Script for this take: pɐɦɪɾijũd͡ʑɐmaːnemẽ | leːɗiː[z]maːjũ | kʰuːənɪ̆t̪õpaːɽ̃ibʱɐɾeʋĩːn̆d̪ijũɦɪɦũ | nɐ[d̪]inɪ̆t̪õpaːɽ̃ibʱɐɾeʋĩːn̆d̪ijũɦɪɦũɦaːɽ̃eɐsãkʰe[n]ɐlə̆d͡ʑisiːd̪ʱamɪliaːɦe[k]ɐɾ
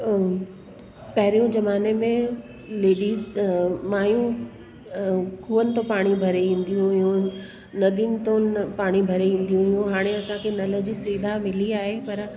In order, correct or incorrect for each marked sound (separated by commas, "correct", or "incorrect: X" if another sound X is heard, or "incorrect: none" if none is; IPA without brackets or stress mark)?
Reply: correct, correct, correct, incorrect: p